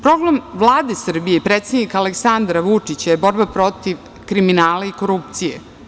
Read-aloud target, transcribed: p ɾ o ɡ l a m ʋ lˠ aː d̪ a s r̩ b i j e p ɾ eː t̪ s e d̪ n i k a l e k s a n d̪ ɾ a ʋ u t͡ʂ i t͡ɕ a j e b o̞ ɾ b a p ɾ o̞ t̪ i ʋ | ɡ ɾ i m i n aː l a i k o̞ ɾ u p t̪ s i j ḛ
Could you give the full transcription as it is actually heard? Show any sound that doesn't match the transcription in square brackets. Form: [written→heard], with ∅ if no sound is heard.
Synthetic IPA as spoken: p ɾ o ɡ l a m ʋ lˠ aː d̪ [a→e] s r̩ b i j e p ɾ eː t̪ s e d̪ n i k a l e k s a n d̪ ɾ a ʋ u t͡ʂ i t͡ɕ a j e b o̞ ɾ b a p ɾ o̞ t̪ i ʋ | [ɡ→k] ɾ i m i n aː l a i k o̞ ɾ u p t̪ s i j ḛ